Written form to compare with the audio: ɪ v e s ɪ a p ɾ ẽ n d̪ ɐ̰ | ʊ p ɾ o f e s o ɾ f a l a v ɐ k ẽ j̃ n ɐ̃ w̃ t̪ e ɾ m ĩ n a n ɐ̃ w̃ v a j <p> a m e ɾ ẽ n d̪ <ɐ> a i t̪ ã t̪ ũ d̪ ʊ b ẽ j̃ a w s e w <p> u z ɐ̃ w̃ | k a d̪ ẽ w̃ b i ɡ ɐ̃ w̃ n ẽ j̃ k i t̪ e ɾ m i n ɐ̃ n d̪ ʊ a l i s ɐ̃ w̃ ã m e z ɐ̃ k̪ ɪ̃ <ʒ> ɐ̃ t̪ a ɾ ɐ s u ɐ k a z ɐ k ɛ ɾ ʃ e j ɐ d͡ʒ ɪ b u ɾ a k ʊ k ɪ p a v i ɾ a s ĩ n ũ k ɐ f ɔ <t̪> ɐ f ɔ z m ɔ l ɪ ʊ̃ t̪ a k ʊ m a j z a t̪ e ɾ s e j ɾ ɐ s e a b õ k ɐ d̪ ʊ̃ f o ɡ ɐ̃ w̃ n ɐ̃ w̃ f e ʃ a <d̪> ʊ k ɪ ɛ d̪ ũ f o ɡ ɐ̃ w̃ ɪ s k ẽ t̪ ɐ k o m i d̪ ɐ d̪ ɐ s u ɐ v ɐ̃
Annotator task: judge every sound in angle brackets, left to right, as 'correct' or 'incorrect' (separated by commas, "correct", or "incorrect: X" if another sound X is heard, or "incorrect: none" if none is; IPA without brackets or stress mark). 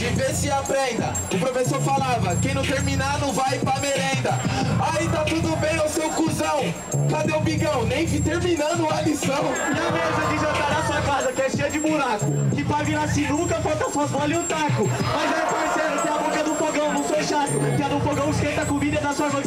correct, correct, incorrect: k, correct, correct, incorrect: t̪